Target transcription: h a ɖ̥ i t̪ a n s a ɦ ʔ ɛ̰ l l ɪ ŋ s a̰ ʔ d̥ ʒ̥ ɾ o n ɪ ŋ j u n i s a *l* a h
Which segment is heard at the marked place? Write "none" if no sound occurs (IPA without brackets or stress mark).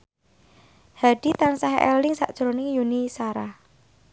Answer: ɾ